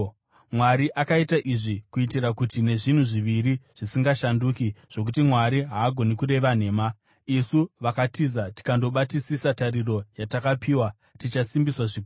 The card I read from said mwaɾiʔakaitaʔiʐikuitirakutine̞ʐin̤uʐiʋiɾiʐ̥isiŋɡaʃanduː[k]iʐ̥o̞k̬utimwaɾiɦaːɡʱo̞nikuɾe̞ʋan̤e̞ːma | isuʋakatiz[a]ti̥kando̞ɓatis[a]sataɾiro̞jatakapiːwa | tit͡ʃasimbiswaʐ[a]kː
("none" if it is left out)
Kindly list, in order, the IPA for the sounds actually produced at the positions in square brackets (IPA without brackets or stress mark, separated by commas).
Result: k, a, i, i